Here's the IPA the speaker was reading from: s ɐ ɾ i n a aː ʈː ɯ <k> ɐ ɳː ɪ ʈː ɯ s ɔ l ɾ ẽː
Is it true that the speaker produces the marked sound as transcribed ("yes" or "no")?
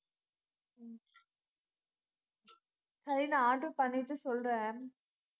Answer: no